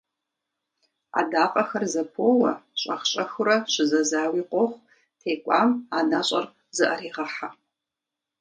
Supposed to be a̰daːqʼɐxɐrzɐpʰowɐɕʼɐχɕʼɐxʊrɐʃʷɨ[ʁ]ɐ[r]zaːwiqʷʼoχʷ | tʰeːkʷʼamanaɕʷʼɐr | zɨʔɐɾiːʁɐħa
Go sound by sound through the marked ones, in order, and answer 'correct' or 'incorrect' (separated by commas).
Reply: incorrect, incorrect